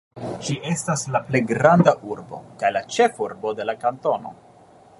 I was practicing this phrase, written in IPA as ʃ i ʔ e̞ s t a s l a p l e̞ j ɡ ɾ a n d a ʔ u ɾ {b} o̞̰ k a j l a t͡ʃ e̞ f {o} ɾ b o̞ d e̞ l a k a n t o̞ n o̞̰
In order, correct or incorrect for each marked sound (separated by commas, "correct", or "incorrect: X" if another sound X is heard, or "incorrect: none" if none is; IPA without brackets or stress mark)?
correct, incorrect: u